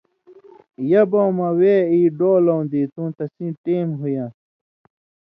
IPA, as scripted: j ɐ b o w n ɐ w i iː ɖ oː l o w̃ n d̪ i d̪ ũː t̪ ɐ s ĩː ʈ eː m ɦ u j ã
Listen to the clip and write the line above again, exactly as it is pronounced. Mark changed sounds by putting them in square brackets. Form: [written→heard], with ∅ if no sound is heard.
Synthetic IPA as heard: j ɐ b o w [n→m] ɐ w [i→e] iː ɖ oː l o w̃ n d̪ i [d̪→t̪] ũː t̪ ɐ s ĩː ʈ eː m ɦ u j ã